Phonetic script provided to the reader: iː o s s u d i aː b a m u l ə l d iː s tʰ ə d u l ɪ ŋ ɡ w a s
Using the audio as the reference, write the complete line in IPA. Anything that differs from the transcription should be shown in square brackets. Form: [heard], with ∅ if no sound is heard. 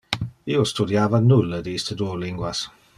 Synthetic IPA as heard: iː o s [t] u d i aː [v] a [n] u l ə [∅] d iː s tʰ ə d u l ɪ ŋ ɡ w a s